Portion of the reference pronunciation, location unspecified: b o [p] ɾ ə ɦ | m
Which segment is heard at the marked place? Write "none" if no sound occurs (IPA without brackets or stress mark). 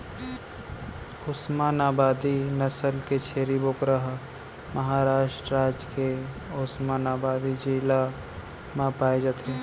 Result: k